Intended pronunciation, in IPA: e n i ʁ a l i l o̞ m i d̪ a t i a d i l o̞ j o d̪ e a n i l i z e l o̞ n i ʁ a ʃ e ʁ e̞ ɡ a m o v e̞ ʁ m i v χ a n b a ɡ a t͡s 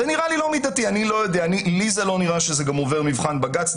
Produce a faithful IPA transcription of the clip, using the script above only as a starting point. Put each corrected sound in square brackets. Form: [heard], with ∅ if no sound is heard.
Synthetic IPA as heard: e n i ʁ a l i l o̞ m i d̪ a t i a [n] i l o̞ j o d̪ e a n i l i z e l o̞ n i ʁ a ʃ e [z] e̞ ɡ a m o v e̞ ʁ m i v χ a n b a ɡ a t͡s